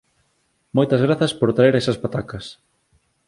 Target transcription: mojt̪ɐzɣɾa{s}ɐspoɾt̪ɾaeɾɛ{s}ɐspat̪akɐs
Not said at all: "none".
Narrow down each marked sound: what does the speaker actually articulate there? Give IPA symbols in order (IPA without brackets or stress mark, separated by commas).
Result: θ, s